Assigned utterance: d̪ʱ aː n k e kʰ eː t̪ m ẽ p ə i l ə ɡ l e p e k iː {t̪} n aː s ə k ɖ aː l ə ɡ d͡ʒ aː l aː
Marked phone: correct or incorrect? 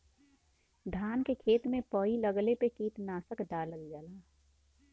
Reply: correct